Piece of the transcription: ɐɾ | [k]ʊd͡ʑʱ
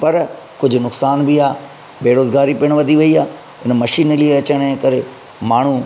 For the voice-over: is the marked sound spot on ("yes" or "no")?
yes